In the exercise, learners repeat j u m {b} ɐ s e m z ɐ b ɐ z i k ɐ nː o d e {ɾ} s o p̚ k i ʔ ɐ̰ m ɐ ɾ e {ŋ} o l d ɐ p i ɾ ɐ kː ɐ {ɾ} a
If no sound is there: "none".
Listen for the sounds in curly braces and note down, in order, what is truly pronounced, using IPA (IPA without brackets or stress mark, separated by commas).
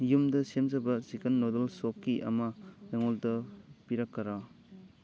d, l, ŋ, ɾ